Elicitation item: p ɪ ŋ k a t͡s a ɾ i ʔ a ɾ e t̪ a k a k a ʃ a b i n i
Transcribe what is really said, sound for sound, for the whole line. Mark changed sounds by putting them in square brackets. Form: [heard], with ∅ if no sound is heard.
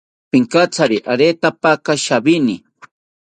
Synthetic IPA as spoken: p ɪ ŋ k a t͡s a ɾ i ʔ a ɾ e t̪ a [p] a k a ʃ a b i n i